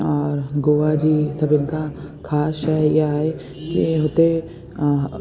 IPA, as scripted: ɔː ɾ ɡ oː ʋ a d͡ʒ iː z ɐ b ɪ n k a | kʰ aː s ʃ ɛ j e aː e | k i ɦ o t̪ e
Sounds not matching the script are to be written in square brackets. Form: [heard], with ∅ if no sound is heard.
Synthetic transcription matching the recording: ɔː ɾ ɡ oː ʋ a d͡ʒ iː [s] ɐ b ɪ n k a | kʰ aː s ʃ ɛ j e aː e | k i ɦ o t̪ e